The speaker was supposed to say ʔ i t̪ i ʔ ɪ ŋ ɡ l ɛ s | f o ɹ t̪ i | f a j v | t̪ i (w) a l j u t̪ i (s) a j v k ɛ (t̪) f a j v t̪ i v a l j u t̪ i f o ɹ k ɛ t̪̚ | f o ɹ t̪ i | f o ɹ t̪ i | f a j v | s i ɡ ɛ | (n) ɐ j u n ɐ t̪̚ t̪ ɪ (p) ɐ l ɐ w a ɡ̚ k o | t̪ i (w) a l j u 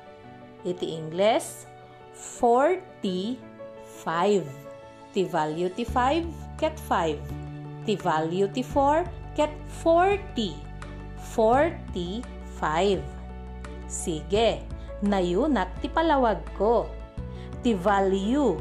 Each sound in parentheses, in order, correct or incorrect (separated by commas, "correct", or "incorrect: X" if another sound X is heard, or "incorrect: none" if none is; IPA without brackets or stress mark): incorrect: v, incorrect: f, correct, correct, correct, incorrect: v